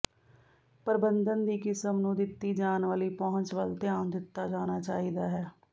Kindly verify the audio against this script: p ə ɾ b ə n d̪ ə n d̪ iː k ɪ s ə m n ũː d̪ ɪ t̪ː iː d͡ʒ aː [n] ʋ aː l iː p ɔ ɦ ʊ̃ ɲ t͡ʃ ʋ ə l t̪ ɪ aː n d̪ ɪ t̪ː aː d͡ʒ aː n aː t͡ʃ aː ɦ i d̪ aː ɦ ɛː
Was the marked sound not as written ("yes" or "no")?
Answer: no